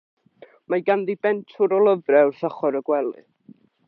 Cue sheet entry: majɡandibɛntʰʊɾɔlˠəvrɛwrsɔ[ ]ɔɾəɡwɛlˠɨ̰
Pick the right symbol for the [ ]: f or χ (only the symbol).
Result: χ